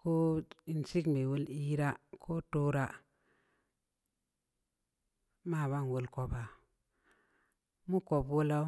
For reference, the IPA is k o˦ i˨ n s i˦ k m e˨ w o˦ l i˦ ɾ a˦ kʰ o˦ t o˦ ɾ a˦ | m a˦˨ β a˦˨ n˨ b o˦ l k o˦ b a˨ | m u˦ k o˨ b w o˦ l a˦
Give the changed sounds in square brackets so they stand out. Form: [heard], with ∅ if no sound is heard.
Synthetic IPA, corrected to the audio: k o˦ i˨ n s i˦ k m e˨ w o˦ l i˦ ɾ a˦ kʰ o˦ t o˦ ɾ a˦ | m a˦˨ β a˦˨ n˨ [w] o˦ l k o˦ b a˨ | m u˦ k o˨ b w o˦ l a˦

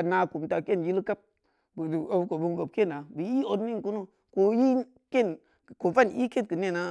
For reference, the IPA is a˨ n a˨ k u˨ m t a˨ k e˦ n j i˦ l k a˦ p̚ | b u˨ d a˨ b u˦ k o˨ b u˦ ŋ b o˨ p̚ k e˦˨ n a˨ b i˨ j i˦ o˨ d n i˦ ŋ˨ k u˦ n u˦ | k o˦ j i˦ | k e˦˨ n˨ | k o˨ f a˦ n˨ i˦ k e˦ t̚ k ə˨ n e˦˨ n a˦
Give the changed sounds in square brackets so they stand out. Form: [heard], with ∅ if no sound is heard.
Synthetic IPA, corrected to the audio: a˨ n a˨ k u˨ m t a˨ k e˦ n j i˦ l k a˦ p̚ | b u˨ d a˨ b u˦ k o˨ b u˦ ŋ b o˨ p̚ k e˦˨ n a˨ b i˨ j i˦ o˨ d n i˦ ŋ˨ k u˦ n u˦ | k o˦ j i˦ | k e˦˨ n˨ | k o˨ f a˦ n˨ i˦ k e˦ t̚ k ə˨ n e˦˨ n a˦

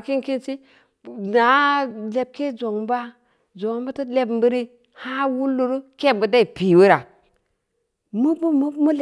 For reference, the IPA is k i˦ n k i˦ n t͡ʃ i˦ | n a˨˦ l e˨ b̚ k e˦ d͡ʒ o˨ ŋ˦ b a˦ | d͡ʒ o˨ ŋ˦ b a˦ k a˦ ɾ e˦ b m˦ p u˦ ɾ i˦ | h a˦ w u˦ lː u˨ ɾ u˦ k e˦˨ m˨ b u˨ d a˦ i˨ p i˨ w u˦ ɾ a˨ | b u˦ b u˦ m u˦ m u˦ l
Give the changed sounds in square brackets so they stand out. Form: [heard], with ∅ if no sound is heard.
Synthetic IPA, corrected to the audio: k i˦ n k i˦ n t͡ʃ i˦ | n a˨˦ l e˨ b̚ k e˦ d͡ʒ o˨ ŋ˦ b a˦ | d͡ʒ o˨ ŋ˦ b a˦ [t] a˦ [l] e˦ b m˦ [b] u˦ ɾ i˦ | h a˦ w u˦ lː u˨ ɾ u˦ k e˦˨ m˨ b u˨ d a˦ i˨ p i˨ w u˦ ɾ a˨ | [m] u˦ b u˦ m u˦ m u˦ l

